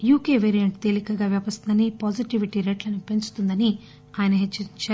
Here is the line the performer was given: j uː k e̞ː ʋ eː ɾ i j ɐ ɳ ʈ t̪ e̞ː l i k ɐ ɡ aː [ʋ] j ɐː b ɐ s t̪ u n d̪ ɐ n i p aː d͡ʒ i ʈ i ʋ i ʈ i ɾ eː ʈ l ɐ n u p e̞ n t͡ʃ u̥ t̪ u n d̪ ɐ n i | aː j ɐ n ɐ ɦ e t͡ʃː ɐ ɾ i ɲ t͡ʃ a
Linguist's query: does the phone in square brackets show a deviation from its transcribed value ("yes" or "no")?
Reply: no